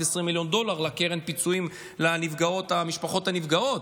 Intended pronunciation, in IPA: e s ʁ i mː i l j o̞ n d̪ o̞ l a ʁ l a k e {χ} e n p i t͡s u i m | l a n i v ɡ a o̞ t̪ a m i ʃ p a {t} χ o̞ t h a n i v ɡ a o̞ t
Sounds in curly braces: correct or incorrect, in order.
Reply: incorrect: ʁ, incorrect: none

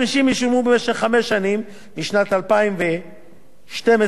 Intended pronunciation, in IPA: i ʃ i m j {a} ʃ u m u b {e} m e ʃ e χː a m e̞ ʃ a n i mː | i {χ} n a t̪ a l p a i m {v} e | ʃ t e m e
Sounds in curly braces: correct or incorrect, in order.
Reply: incorrect: i, correct, incorrect: ʃ, correct

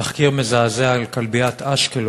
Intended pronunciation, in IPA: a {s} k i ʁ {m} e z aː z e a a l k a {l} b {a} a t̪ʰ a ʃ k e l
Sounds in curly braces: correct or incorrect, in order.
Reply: incorrect: χ, correct, correct, incorrect: i

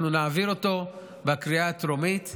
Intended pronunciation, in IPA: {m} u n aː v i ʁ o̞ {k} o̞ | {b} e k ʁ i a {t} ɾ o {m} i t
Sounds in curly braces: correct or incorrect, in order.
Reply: incorrect: n, incorrect: t, correct, correct, correct

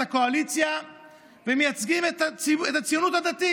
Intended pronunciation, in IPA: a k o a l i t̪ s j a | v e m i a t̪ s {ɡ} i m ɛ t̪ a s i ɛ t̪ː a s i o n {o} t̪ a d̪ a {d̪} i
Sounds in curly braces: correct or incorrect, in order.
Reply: correct, incorrect: u, incorrect: t̪

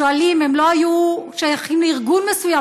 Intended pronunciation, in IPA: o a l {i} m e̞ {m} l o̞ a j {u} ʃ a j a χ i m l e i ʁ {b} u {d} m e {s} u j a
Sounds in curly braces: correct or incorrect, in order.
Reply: correct, correct, correct, incorrect: ɡ, incorrect: n, correct

